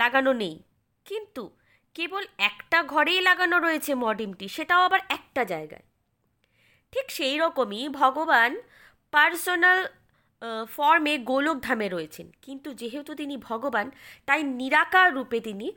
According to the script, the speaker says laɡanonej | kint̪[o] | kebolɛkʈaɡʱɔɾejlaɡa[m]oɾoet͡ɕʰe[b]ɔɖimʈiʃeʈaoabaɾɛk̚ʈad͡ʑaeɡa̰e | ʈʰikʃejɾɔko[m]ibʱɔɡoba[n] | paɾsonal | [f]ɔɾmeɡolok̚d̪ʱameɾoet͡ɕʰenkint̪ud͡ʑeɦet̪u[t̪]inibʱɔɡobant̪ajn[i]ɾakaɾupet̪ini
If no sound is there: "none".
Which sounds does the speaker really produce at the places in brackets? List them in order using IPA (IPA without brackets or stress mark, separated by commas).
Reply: u, n, m, m, n, f, t̪, i